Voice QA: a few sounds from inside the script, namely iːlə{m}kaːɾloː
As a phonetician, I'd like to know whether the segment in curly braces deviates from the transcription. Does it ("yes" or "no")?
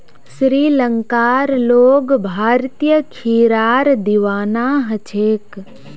yes